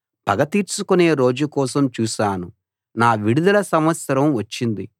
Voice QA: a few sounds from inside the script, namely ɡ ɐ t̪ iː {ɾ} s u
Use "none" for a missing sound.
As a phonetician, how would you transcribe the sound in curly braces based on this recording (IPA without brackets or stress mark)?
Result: ɾ